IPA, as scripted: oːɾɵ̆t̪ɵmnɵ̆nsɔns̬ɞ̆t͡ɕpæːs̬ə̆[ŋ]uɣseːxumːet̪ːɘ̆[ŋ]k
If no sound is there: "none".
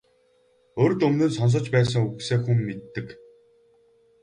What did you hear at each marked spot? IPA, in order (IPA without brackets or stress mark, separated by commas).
ŋ, none